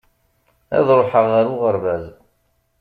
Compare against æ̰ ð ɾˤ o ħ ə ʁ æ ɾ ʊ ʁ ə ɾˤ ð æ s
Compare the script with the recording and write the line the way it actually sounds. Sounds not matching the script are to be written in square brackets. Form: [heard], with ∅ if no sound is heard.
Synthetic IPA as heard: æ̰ ð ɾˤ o ħ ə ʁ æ ɾ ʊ ʁ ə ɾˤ [v] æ [z]

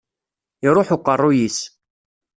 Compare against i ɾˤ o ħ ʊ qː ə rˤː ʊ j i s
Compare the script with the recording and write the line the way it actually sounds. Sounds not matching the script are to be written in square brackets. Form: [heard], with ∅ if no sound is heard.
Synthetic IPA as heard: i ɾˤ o ħ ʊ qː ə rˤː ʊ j i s

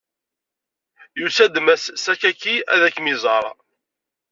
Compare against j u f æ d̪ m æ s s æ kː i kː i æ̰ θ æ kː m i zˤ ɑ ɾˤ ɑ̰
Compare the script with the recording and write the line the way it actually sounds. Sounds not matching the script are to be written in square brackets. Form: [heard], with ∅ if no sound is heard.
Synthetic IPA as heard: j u [s] æ d̪ m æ s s æ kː [æ] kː i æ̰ [ð] æ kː m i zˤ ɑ ɾˤ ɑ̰

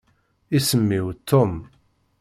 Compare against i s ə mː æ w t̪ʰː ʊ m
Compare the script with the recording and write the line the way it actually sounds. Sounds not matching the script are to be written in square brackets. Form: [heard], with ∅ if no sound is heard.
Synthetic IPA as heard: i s ə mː [i] w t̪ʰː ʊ m

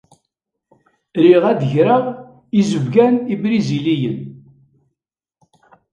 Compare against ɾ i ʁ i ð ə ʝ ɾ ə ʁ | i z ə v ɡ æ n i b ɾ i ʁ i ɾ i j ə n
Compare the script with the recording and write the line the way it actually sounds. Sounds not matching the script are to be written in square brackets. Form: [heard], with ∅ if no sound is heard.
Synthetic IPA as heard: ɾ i ʁ [æ] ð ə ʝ ɾ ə ʁ | i z ə v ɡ æ n i b ɾ i [z] i [l] i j ə n

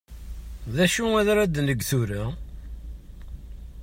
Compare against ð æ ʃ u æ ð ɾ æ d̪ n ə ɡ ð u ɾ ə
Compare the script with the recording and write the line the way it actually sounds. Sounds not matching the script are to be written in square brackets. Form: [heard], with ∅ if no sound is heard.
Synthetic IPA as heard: ð æ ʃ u æ ð ɾ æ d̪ n ə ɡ [θ] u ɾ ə

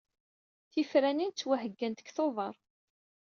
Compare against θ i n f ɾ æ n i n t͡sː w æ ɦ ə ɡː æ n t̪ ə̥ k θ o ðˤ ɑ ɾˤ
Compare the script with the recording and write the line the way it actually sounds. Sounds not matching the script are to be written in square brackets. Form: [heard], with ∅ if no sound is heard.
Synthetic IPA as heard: θ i [∅] f ɾ æ n i n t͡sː w æ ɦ ə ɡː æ n t̪ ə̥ k θ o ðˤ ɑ ɾˤ

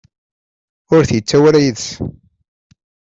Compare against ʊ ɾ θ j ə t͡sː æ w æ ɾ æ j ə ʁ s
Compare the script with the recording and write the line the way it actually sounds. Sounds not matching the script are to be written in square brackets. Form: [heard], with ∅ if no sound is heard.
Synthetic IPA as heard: ʊ ɾ θ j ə t͡sː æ w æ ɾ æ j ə [ð] s

